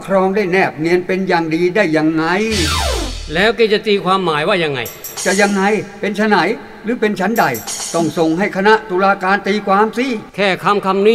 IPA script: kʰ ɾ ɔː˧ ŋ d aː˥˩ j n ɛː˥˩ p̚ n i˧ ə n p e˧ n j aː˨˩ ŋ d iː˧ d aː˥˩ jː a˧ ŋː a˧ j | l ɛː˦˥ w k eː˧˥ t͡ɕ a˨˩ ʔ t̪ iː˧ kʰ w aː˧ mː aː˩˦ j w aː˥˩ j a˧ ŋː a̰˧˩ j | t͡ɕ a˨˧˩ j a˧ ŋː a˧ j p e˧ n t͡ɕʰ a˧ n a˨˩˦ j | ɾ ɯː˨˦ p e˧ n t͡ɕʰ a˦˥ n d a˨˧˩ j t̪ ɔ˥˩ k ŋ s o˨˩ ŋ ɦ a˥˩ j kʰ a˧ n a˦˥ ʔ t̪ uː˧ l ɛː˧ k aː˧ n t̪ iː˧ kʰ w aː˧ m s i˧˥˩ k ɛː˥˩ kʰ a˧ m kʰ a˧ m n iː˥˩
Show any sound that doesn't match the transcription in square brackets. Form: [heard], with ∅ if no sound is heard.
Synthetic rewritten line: kʰ ɾ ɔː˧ ŋ d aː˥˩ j n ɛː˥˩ p̚ n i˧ ə n p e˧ n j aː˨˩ ŋ d iː˧ d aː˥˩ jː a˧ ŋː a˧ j | l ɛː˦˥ w k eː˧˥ t͡ɕ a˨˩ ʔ t̪ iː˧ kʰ w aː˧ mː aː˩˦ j w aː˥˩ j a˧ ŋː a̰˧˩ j | t͡ɕ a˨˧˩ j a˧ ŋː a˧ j p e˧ n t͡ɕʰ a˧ n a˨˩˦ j | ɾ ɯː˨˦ p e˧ n t͡ɕʰ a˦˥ n d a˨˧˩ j t̪ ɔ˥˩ [∅] ŋ s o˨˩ ŋ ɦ a˥˩ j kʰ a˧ n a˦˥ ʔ t̪ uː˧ l [aː˧] k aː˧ n t̪ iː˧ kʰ w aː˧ m s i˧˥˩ [kʰ] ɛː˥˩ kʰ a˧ m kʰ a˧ m n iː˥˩

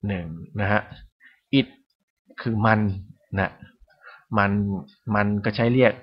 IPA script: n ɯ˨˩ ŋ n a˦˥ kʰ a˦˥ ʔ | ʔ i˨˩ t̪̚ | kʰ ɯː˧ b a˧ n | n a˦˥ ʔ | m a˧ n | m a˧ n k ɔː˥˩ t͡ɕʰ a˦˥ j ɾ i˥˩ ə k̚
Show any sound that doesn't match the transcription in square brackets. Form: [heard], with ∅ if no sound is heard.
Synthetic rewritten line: n ɯ˨˩ ŋ n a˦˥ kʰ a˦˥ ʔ | ʔ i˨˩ t̪̚ | kʰ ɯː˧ [m] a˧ n | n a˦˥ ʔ | m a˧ n | m a˧ n k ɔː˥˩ t͡ɕʰ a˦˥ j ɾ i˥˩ ə k̚

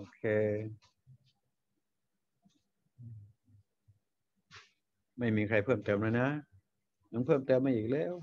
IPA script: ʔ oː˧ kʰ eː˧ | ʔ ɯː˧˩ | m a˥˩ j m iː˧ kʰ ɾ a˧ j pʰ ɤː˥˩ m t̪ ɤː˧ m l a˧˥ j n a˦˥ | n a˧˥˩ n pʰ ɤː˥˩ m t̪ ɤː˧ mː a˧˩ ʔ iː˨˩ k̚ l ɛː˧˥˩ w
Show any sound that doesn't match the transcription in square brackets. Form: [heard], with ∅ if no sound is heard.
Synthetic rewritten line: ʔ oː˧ kʰ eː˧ | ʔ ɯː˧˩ | m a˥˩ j m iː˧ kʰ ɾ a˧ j pʰ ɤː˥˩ m t̪ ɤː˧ m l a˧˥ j n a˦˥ | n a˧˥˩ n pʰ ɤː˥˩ m t̪ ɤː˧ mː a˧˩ ʔ iː˨˩ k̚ l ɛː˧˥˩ w

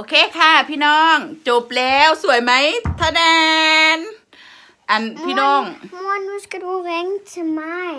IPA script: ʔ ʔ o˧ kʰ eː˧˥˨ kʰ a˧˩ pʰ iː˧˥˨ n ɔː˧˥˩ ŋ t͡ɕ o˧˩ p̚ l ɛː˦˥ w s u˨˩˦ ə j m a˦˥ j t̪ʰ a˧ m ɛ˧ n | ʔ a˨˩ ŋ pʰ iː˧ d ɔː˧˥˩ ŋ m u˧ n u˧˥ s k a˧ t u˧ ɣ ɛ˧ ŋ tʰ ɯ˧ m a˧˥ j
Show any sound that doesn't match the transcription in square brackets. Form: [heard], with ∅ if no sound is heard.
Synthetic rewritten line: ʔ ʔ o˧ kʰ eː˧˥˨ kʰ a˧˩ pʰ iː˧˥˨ n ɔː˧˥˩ ŋ t͡ɕ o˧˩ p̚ l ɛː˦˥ w s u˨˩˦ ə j m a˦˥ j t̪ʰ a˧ [n] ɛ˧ n | ʔ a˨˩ [n] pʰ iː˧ [n] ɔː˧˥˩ ŋ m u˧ n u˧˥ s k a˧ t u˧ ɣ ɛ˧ ŋ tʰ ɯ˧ m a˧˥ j

